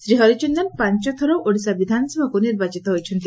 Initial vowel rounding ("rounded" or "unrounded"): unrounded